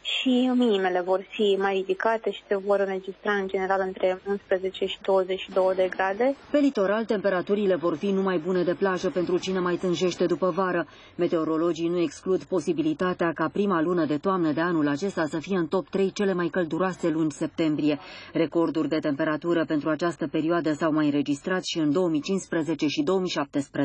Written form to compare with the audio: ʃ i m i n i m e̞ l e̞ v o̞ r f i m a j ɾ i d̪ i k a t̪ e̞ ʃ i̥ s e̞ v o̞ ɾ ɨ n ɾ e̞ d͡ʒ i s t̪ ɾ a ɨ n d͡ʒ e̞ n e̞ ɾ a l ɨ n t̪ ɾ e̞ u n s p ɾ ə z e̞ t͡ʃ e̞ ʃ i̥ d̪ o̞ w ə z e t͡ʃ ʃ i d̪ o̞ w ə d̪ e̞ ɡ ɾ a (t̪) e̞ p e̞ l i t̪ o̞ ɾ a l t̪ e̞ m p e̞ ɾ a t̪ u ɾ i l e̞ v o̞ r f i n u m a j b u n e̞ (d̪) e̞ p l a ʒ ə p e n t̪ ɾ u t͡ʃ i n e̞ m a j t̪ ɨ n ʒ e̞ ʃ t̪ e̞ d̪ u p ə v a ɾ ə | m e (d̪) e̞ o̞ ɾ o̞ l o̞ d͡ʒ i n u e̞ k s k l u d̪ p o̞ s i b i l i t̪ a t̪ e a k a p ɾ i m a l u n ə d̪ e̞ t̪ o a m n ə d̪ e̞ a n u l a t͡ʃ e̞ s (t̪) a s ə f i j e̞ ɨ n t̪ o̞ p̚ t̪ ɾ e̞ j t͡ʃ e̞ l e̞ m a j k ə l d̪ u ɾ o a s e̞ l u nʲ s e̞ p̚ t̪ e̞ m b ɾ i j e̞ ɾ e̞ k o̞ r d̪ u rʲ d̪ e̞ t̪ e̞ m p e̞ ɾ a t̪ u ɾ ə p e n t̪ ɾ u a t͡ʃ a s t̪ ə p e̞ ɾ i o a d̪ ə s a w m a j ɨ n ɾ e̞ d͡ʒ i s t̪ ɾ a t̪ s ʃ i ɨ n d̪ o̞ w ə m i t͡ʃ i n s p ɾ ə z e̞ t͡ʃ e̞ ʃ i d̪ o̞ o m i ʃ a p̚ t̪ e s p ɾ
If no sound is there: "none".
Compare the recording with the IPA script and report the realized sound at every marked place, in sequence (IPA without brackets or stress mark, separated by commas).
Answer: d̪, d̪, t̪, t̪